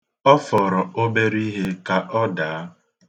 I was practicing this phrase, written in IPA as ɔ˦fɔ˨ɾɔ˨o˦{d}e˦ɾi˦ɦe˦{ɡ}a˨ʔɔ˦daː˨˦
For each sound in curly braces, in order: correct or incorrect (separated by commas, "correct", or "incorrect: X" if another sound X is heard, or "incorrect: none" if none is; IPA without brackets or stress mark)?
incorrect: b, incorrect: k